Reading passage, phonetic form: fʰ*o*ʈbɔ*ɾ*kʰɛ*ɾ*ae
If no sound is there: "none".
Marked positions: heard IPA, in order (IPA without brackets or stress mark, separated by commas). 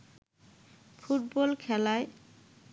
u, l, l